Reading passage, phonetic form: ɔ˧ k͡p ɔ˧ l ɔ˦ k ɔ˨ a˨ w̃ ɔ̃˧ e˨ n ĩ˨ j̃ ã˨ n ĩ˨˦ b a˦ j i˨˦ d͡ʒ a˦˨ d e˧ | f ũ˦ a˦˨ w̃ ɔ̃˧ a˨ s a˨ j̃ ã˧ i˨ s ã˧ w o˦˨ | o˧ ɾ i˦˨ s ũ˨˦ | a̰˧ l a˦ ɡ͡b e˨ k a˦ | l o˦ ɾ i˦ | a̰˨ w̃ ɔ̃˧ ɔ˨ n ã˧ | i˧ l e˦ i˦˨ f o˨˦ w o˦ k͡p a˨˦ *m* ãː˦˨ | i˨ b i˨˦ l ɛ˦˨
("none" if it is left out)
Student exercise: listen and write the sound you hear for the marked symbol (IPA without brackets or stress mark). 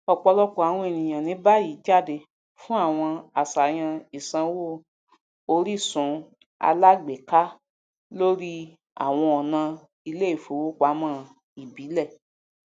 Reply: m